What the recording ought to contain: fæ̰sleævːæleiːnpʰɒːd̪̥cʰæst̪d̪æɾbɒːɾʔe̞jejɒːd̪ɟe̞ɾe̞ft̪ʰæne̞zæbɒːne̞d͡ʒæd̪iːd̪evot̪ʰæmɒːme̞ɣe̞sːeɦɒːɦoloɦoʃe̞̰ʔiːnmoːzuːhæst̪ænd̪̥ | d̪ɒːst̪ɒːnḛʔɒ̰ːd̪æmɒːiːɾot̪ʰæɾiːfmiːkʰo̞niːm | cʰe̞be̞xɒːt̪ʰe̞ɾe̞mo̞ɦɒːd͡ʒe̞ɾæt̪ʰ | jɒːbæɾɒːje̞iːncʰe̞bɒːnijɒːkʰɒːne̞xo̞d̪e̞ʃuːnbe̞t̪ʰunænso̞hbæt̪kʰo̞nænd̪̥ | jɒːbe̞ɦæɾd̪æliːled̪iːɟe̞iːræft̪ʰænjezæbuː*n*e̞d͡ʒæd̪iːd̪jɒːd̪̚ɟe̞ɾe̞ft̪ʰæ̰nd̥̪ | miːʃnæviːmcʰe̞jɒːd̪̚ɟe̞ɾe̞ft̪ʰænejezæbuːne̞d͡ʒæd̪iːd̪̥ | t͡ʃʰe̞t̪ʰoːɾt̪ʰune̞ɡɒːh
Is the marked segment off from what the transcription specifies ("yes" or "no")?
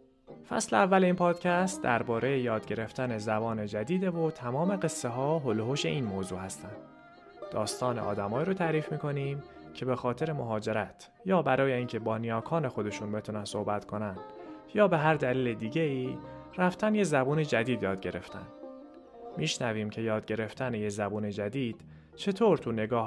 no